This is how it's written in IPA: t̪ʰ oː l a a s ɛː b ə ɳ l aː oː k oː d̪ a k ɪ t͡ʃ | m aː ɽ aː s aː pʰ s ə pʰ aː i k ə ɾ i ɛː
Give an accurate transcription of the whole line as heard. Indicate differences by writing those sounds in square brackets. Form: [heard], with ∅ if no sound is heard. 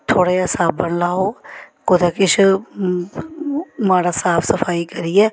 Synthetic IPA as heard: t̪ʰ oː [ɽ] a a s [aː] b ə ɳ l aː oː k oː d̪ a k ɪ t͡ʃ | m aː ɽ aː s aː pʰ s ə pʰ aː i k ə ɾ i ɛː